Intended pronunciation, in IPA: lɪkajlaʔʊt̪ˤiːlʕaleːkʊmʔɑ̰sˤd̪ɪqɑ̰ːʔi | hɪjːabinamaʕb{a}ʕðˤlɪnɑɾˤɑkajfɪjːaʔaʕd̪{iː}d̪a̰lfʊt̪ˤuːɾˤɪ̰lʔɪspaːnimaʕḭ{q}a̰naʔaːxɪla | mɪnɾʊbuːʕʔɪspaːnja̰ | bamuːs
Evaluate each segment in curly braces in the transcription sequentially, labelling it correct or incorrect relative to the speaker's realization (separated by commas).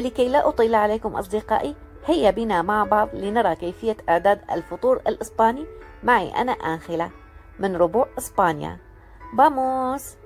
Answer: incorrect, incorrect, incorrect